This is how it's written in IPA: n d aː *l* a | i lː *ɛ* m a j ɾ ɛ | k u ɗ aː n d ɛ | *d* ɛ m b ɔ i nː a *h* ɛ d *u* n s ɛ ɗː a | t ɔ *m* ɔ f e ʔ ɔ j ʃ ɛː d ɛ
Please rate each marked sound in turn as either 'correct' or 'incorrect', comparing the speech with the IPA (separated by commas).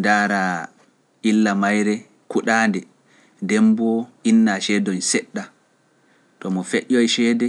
incorrect, incorrect, correct, incorrect, incorrect, correct